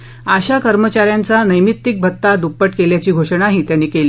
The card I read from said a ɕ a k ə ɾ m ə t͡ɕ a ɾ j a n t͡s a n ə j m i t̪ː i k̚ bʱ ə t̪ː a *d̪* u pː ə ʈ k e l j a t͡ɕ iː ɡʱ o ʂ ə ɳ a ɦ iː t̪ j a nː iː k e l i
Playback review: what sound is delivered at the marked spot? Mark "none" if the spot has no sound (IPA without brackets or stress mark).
d̪